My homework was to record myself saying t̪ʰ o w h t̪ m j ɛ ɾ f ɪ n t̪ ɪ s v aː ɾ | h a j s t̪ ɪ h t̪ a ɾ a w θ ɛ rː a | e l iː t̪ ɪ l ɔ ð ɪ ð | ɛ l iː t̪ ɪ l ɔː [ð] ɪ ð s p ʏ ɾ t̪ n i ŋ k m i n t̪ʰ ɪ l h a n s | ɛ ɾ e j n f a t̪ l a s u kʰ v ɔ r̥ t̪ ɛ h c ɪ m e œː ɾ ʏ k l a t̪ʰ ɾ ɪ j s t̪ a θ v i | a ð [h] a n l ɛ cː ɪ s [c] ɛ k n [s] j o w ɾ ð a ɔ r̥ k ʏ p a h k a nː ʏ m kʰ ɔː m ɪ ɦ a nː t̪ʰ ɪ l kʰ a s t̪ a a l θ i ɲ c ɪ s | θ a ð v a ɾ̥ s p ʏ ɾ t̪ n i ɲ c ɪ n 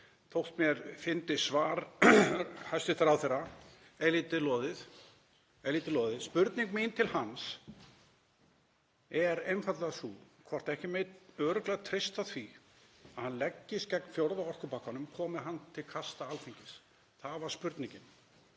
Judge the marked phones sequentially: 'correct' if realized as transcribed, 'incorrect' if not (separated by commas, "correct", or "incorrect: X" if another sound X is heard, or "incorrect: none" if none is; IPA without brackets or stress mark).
correct, correct, correct, incorrect: f